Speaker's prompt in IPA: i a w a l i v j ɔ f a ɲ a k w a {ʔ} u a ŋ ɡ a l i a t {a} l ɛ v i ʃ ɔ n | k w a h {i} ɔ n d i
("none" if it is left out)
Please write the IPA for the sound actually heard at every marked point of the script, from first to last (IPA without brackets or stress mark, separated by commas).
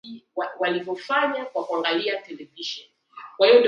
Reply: k, ɛ, i